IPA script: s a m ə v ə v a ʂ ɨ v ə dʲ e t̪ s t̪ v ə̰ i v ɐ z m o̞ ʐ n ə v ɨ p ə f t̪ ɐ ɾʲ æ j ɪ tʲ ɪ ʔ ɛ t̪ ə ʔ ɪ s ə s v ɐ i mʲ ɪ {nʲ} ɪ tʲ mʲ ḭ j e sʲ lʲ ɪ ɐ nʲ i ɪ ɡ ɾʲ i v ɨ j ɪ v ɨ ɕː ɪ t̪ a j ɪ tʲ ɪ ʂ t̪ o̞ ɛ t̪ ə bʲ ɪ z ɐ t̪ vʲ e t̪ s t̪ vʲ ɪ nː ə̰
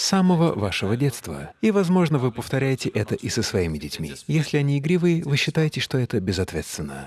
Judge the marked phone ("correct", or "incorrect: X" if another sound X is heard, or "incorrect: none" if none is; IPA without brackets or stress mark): incorrect: dʲ